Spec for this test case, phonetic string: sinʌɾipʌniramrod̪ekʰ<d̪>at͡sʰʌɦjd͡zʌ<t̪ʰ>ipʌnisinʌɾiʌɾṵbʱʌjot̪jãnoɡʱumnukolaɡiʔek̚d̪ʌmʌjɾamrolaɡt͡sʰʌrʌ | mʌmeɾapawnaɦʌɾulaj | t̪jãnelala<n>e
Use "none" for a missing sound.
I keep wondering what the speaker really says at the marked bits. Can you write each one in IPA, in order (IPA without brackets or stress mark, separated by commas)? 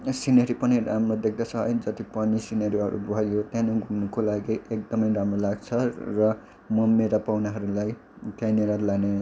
d̪, t̪, n